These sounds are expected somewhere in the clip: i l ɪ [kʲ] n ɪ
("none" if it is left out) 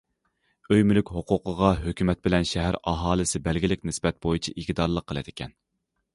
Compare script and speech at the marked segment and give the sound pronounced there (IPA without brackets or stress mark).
kʲ